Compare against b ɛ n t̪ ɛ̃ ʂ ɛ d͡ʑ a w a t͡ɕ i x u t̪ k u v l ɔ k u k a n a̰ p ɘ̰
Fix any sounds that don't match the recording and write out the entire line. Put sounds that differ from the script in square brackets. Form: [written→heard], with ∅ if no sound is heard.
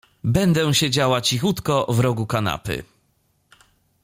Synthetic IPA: b ɛ n [t̪→d̪] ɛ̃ [ʂ→ɕ] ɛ d͡ʑ a w a t͡ɕ i x u t̪ k [u→ɔ] v [l→ɾ] ɔ [k→ɡ] u k a n a̰ p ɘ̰